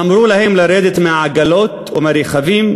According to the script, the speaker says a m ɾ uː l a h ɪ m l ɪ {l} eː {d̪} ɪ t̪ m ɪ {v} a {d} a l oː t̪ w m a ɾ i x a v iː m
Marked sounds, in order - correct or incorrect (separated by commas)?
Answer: incorrect, correct, incorrect, incorrect